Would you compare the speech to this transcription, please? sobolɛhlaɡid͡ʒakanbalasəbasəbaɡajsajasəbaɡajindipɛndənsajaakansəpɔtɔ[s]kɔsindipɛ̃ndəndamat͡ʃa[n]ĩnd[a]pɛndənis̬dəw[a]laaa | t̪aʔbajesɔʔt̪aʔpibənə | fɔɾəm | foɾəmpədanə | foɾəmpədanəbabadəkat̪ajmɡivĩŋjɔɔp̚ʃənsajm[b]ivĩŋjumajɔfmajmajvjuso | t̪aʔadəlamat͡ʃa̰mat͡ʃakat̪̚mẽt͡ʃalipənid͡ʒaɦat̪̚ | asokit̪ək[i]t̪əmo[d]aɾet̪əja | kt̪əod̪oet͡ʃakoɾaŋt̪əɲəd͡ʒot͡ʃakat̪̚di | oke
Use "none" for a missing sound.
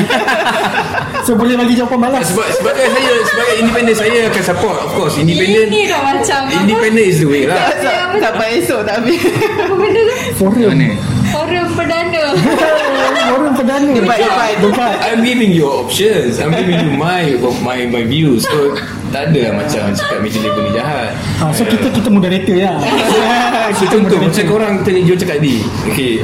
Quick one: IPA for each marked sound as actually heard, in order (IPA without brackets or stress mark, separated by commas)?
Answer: f, m, i, e, ɡ, i, d